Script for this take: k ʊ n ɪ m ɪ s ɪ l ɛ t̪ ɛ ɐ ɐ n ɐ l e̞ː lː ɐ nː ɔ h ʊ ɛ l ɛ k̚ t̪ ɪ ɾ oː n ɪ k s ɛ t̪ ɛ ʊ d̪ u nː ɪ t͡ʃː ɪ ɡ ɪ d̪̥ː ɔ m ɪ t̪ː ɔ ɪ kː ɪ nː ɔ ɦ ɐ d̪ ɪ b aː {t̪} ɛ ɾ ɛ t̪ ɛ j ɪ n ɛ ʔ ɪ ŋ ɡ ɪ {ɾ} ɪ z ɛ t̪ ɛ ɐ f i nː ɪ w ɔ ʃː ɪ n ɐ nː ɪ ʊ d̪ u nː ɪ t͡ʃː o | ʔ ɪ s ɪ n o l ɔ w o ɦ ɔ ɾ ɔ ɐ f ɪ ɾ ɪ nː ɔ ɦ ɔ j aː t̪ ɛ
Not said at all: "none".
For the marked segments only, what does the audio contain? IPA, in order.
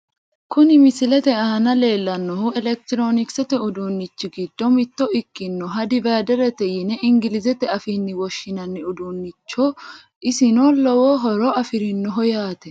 d̪, l

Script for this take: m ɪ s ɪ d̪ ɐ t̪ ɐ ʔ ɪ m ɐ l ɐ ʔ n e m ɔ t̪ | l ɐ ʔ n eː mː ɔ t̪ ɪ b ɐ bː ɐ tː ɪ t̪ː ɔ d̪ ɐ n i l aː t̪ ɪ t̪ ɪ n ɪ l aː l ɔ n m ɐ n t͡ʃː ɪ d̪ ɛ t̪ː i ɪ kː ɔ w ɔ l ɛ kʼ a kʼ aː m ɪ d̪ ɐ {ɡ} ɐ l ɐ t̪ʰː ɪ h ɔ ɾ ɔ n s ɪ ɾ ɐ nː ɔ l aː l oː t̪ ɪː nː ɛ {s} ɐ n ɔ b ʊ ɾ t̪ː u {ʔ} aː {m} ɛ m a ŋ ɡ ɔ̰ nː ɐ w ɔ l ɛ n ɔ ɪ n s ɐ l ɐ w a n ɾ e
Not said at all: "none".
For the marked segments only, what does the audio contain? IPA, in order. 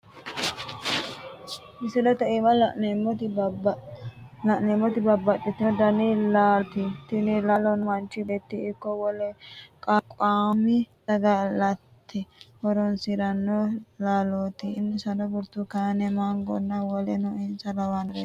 ɡ, s, k, n

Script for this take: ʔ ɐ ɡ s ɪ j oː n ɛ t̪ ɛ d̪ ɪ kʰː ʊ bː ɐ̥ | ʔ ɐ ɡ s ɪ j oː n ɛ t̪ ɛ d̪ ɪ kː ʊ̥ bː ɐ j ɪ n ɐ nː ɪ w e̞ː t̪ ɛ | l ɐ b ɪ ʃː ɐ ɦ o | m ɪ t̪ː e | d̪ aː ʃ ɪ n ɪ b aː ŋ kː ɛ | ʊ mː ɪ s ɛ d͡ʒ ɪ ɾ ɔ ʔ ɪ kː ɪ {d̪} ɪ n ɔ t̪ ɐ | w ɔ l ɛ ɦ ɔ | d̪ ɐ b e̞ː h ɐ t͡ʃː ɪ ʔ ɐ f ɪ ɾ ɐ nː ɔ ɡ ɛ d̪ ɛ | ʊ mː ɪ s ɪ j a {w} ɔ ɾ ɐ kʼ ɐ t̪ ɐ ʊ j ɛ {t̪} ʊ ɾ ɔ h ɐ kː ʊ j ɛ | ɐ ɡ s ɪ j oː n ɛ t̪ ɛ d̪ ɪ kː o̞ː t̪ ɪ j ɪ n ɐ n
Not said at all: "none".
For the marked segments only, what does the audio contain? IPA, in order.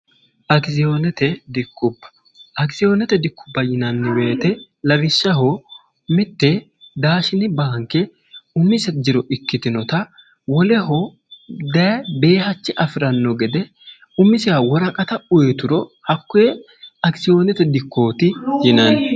t̪, w, t̪

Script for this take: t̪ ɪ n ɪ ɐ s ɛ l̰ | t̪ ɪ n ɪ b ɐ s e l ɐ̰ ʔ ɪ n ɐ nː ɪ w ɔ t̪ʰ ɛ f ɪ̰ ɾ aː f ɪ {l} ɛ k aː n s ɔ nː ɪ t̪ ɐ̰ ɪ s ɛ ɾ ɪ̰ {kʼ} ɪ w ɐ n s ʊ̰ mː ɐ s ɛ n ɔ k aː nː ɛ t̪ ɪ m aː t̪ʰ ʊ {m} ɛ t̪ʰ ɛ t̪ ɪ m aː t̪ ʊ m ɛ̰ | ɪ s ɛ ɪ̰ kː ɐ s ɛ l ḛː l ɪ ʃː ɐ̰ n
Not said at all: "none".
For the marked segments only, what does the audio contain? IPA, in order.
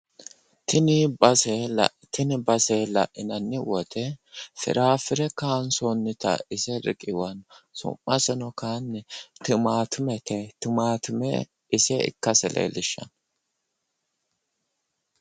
ɾ, kʼ, m

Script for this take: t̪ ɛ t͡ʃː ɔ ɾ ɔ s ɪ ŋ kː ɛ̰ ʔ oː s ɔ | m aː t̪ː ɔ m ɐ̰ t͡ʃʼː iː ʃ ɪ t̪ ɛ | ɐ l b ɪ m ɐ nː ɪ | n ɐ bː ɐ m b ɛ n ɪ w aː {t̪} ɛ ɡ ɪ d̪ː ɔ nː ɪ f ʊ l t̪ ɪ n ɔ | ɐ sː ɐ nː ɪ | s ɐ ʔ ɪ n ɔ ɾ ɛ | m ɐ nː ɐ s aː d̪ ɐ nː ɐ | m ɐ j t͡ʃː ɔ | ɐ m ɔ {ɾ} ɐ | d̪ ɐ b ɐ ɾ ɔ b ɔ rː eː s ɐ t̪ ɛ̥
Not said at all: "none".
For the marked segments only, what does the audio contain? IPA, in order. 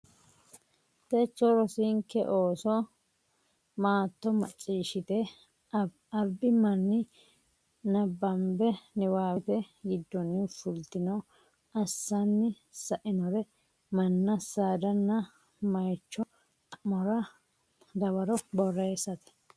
t̪, ɾ

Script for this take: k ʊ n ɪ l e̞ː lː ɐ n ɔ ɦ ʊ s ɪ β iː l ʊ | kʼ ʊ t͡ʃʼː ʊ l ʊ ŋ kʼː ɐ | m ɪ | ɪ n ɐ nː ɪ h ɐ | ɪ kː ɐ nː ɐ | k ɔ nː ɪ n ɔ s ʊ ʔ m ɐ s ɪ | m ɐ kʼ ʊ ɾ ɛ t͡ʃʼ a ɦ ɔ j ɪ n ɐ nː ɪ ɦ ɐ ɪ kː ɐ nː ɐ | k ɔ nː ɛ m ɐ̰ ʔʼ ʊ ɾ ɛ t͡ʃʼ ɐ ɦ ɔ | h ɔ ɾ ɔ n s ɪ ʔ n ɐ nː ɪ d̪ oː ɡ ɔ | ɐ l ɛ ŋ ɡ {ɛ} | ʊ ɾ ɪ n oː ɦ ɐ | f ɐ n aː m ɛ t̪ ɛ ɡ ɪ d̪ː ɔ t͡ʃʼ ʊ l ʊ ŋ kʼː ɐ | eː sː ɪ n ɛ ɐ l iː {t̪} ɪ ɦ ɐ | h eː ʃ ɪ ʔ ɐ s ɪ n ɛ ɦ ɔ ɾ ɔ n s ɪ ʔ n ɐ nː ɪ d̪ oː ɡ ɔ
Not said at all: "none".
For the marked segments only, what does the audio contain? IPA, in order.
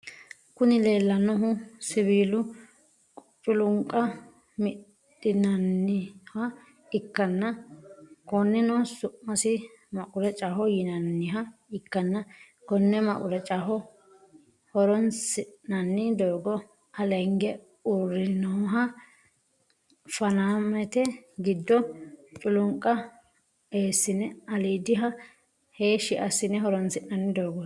ɛ, d̪

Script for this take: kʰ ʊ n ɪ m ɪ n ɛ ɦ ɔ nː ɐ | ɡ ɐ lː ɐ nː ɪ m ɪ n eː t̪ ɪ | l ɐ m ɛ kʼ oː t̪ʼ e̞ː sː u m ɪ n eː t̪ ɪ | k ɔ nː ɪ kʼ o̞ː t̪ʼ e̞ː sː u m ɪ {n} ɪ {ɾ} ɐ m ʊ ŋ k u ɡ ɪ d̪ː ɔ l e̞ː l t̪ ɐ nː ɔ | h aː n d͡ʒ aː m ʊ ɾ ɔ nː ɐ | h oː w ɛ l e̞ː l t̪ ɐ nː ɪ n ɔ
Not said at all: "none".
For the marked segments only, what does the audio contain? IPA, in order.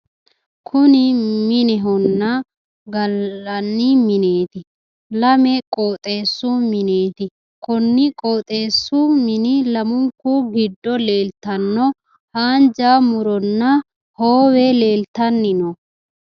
n, l

